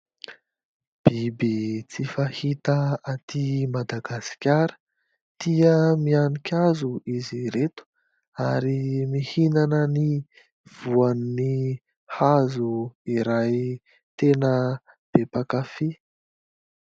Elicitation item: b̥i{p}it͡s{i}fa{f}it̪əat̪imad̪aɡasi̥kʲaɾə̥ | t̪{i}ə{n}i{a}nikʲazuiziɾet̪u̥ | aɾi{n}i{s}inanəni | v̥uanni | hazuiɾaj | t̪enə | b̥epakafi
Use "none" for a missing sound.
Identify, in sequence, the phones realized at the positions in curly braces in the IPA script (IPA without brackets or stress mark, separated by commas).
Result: b, i, h, i, m, a, m, h